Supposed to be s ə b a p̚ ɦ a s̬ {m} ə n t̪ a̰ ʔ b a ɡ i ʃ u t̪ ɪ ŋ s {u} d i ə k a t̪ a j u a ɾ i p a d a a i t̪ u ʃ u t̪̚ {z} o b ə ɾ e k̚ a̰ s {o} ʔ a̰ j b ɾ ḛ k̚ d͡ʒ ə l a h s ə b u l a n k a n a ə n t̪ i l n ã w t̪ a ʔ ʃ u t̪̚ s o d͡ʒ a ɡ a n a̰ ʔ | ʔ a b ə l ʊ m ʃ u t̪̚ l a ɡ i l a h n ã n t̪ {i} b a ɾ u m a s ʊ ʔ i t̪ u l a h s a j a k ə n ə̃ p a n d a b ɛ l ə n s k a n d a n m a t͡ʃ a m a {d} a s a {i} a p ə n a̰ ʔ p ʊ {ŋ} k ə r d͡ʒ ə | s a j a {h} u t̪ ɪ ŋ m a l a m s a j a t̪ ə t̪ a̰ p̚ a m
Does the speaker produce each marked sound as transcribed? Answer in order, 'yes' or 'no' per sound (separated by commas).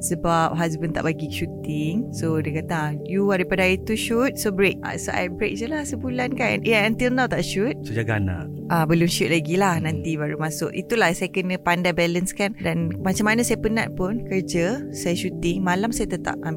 no, no, no, yes, yes, no, no, no, no